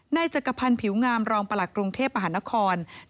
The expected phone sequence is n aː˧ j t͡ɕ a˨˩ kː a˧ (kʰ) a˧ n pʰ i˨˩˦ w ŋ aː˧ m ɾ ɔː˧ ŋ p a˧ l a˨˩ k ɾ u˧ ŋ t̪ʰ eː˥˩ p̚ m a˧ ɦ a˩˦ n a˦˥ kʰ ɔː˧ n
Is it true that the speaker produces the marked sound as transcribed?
no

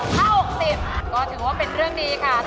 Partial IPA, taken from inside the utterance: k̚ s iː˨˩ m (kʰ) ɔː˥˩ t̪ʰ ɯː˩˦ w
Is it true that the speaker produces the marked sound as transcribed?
no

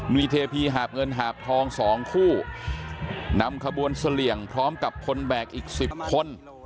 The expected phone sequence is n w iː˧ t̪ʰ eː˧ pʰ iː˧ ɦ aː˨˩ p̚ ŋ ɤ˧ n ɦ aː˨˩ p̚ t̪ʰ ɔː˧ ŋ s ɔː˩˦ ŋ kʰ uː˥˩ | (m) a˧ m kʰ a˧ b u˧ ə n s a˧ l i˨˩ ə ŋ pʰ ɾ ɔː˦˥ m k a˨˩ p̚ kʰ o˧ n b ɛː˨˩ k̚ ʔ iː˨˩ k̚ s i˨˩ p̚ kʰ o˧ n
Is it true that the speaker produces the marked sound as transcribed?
no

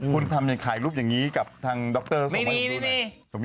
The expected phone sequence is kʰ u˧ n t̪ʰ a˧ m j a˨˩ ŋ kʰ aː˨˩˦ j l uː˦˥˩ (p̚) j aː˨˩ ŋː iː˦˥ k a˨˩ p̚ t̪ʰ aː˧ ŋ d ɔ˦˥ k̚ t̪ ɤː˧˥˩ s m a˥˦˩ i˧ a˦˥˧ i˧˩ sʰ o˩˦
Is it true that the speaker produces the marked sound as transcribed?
yes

